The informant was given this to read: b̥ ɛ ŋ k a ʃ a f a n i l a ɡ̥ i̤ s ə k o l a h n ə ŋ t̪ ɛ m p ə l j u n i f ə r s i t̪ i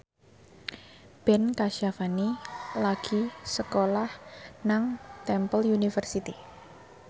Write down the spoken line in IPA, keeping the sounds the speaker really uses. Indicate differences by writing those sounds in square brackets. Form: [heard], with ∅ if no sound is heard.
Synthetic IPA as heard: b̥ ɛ [n] k a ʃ a f a n i l a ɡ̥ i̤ s ə k o l a h n [a] ŋ t̪ ɛ m p ə l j u n i f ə r s i t̪ i